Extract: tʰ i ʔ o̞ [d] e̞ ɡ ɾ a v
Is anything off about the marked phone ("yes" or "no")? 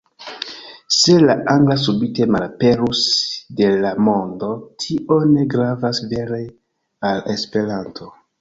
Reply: yes